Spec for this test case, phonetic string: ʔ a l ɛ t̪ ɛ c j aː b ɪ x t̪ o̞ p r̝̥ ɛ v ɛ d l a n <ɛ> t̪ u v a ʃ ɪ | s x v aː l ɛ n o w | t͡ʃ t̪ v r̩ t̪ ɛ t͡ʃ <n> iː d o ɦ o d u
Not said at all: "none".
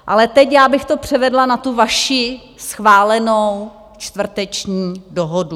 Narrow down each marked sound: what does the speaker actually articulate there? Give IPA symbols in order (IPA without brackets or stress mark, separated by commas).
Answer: a, ɲ